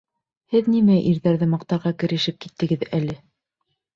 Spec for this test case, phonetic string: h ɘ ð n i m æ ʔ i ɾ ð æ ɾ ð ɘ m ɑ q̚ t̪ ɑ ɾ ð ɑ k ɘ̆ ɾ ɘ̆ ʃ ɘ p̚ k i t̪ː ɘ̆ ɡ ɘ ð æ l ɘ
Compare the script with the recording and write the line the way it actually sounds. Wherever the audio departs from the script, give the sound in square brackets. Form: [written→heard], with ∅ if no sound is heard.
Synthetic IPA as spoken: h ɘ ð n i m æ ʔ i ɾ ð æ ɾ ð ɘ m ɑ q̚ t̪ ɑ ɾ [ð→ʁ] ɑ k ɘ̆ ɾ ɘ̆ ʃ ɘ p̚ k i t̪ː ɘ̆ ɡ ɘ ð æ l ɘ

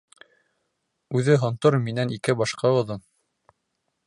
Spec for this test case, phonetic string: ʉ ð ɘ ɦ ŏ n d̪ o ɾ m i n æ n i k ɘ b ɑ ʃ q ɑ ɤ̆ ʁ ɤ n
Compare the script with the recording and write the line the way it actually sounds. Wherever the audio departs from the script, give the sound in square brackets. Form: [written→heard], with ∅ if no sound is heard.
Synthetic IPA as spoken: ʉ ð ɘ ɦ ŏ n [d̪→t̪] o ɾ m i n æ n i k ɘ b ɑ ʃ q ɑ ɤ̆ [ʁ→ð] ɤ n

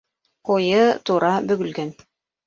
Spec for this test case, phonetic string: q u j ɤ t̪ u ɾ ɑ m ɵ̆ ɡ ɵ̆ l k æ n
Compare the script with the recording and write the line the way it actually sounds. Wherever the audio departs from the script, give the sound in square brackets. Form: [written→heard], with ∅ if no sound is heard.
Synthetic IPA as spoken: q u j ɤ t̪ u ɾ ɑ [m→b] ɵ̆ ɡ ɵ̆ l [k→ɡ] æ n

